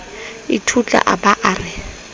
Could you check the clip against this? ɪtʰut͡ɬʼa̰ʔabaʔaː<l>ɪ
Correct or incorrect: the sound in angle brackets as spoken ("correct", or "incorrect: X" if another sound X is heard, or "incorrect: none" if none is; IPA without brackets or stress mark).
incorrect: r